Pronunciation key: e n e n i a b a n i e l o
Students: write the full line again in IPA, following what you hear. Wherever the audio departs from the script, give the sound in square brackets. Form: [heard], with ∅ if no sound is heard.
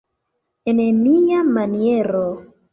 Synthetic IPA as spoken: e n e [m] i a [m] a n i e [ɾ] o